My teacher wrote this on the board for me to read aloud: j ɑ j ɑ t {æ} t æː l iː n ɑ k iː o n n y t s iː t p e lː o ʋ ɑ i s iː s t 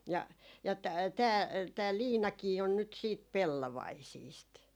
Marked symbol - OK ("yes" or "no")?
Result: no